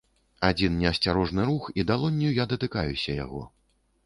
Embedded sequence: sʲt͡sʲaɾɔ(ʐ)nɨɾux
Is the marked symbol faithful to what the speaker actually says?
yes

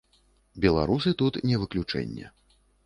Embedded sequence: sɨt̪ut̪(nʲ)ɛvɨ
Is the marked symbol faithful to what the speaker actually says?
yes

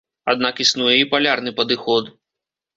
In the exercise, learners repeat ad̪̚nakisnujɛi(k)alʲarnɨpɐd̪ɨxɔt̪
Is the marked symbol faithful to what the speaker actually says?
no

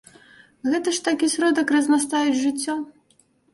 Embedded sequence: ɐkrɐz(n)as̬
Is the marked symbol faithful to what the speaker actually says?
yes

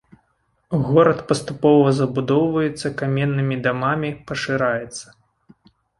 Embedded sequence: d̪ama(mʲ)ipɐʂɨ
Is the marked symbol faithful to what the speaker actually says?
yes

